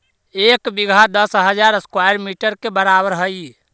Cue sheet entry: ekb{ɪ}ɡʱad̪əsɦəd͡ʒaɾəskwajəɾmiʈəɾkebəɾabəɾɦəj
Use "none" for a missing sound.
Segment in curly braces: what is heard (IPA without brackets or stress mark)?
i